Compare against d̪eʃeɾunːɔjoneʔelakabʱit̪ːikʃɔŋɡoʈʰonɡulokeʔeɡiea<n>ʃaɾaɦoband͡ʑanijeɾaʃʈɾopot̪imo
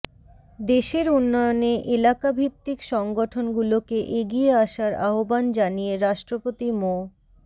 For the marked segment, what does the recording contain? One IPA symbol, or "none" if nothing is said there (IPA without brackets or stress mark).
none